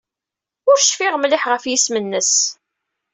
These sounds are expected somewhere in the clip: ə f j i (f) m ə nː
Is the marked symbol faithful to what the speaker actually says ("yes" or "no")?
no